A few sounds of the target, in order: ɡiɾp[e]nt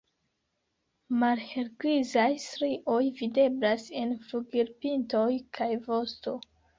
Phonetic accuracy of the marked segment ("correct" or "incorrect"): incorrect